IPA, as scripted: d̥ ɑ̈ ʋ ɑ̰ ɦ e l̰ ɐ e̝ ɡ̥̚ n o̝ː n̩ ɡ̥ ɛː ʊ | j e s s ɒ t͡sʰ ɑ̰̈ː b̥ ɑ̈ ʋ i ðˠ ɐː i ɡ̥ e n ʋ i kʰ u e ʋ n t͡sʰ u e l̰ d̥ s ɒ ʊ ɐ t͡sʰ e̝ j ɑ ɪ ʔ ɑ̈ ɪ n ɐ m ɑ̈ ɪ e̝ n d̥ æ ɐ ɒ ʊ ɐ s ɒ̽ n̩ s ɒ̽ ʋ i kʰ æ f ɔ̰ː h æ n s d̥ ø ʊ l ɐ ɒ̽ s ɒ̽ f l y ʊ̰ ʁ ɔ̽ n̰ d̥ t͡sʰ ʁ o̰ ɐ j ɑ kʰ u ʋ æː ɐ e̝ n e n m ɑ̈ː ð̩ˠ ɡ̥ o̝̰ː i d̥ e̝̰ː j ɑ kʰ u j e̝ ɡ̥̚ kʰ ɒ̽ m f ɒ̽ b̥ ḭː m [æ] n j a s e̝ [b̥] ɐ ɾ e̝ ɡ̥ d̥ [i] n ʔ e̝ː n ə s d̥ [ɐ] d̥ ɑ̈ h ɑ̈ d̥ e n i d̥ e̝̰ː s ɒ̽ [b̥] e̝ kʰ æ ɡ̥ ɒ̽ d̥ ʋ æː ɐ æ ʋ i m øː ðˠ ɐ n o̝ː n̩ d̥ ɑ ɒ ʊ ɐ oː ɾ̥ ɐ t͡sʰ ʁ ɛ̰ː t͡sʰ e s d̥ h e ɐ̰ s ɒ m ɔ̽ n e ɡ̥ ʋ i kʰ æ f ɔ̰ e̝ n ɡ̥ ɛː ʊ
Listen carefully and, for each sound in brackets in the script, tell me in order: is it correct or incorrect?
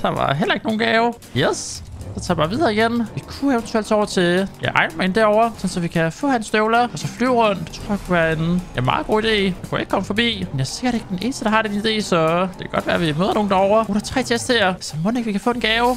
incorrect: e, incorrect: ɡ̥, incorrect: e, incorrect: ə, incorrect: d̥

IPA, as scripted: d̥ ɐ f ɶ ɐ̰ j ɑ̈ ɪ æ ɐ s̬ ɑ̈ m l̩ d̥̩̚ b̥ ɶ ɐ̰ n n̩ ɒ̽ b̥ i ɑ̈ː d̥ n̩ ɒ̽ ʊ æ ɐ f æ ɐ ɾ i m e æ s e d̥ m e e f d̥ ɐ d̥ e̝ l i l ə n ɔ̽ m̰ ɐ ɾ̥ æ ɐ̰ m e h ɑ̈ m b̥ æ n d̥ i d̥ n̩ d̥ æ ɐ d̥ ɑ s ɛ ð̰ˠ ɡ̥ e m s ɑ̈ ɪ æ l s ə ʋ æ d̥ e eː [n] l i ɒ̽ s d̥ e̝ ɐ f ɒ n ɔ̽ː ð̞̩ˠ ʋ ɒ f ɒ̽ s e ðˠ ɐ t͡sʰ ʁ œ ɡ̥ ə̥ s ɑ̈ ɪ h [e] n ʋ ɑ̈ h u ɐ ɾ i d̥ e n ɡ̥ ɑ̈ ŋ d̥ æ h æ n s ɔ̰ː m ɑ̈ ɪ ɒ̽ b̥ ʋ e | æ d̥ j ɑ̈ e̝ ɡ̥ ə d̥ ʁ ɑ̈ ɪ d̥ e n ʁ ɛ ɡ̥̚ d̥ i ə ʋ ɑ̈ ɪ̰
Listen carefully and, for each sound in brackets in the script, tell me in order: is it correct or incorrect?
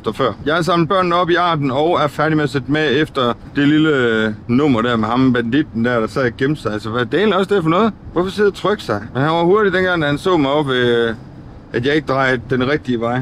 correct, incorrect: æ

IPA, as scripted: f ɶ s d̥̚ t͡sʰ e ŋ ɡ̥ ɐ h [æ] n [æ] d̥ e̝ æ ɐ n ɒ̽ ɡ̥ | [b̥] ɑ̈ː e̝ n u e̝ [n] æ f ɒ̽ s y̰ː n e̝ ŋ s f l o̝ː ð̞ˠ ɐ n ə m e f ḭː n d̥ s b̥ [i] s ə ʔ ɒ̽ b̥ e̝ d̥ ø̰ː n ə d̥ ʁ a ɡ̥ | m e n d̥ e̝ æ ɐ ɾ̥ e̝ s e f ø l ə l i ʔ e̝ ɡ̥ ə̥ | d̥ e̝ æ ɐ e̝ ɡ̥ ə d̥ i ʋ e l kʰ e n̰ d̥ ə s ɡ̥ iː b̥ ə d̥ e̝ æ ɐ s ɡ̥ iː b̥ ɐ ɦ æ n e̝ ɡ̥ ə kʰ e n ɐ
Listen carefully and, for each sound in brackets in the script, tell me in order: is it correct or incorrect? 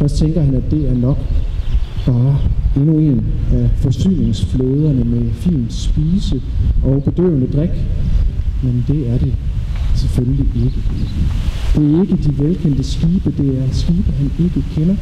correct, correct, correct, correct, incorrect: iː

